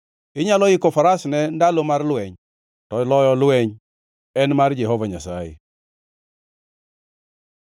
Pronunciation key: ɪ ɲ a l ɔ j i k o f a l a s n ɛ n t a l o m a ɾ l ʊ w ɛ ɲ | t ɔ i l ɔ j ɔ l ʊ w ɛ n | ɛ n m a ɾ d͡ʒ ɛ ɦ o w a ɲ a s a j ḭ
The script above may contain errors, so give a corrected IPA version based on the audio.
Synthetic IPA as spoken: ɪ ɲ a l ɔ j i k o f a ɾ a s n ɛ n d a l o m a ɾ l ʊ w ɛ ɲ | t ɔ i l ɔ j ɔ l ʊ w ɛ ɲ | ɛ n m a ɾ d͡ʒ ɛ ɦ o v a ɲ a s a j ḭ